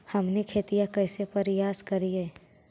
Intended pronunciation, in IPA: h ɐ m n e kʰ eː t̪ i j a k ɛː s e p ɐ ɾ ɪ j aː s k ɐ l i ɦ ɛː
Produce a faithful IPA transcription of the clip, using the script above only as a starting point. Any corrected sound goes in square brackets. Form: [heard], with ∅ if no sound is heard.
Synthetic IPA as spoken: h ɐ m n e kʰ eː t̪ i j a k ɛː s e p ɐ ɾ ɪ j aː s k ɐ [ɾ] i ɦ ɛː